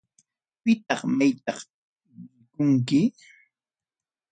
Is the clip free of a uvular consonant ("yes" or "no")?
no